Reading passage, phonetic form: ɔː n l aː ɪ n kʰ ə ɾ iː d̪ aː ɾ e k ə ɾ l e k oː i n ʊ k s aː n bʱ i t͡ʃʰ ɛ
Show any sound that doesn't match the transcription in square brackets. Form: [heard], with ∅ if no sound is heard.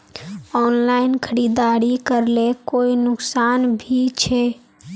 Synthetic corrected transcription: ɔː n l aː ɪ n kʰ ə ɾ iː d̪ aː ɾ [i] k ə ɾ l e k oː i n ʊ k s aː n bʱ i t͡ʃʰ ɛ

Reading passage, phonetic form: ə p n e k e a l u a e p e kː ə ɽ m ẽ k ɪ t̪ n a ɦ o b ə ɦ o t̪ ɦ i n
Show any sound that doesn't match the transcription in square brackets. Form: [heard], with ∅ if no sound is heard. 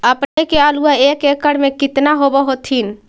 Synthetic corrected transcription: ə p n e k e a l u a e [k] e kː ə ɽ m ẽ k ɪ t̪ n a ɦ o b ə ɦ o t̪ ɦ i n

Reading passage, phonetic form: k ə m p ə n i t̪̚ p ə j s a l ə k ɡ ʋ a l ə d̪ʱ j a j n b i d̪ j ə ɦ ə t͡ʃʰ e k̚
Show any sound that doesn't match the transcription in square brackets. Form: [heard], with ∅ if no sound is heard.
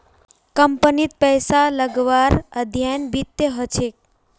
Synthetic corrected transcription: k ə m p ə n i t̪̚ p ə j s a l ə [∅] ɡ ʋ a [ɾ] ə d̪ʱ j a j n b i [t̪] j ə ɦ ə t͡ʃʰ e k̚

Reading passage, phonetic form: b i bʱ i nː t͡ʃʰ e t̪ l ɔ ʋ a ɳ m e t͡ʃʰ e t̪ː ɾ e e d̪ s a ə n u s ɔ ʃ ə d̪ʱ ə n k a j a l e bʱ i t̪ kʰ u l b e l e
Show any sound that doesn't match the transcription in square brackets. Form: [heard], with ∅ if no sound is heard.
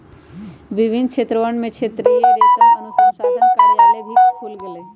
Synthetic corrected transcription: b i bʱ i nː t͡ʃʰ e t̪ [ɾ] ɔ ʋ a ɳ m e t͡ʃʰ e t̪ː ɾ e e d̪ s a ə n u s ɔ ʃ [a] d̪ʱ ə n k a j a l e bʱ i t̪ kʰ u l [ɡ] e l e

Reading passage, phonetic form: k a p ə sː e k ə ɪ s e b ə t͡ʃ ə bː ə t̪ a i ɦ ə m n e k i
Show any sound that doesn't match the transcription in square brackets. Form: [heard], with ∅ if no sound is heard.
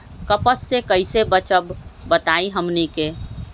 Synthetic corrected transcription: k [ə] p ə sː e k ə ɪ s e b ə t͡ʃ ə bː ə t̪ a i ɦ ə m n [i] k [e]

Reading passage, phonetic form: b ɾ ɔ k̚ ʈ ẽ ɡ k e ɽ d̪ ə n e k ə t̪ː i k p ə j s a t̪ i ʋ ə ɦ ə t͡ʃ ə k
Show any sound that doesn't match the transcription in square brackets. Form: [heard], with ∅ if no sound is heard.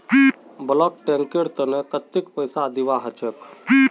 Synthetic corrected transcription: b [l] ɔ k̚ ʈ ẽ [ŋ] k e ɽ [t̪] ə n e k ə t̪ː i k p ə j s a [d̪] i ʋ [a] ɦ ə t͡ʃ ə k

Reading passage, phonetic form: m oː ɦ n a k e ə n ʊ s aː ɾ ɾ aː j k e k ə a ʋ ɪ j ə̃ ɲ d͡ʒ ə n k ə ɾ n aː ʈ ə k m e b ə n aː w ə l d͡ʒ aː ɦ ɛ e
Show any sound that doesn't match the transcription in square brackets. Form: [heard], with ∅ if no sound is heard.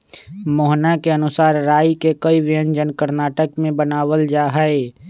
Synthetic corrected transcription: m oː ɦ n a k e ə n ʊ s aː ɾ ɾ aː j k e k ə [i] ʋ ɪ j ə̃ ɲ d͡ʒ ə n k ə ɾ n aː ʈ ə k m [ẽ] b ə n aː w ə l d͡ʒ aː ɦ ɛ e

